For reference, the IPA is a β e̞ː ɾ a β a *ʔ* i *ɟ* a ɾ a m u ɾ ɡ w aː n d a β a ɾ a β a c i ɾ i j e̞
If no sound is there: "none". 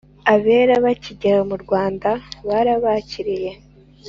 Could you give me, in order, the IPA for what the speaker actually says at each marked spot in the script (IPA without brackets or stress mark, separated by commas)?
c, ɟ